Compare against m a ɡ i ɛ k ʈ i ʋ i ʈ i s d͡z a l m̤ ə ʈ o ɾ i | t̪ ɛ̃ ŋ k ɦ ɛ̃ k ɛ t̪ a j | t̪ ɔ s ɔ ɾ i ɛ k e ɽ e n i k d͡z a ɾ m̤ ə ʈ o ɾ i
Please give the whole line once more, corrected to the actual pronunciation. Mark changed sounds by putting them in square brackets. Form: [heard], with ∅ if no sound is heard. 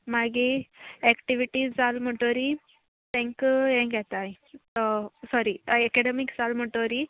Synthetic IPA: m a ɡ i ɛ k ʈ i ʋ i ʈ i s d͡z a l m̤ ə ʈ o ɾ i | t̪ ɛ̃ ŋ k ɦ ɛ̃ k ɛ t̪ a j | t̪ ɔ s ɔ ɾ i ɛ k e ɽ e [m] i k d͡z a [l] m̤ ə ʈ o ɾ i